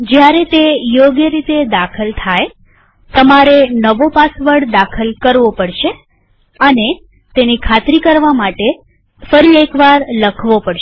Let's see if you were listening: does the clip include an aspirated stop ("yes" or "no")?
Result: yes